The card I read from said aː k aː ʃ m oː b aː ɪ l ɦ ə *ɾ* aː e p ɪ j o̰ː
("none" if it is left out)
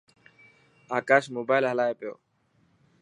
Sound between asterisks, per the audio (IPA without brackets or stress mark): l